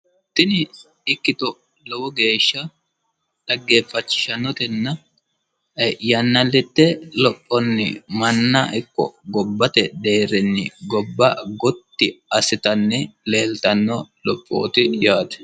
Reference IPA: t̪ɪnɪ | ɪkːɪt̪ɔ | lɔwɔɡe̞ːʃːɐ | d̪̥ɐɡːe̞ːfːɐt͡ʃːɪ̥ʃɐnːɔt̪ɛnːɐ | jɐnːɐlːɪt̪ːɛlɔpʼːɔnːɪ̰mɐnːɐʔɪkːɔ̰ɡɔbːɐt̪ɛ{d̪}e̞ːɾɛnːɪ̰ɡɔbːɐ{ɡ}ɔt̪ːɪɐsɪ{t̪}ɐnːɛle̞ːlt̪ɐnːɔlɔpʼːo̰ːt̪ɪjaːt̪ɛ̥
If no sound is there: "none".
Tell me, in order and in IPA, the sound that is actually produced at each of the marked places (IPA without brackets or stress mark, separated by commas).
d̪, ɡ, t̪